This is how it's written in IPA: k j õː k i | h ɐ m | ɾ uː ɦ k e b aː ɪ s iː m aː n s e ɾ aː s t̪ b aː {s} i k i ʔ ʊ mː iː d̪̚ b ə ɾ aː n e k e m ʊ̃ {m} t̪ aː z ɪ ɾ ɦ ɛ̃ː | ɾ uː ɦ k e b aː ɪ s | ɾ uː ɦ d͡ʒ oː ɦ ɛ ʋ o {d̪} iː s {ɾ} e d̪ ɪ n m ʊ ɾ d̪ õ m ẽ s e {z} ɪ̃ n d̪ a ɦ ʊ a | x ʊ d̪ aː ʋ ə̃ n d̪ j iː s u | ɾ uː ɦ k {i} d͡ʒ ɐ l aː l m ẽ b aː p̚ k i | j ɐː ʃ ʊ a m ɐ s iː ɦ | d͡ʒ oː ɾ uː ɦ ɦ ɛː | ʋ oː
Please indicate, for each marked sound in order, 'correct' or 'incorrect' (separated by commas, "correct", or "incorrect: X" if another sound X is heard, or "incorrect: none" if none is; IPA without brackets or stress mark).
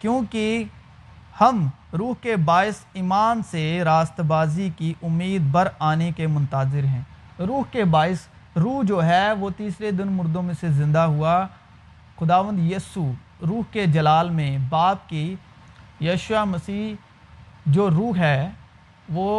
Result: incorrect: z, incorrect: n, incorrect: t̪, correct, correct, incorrect: e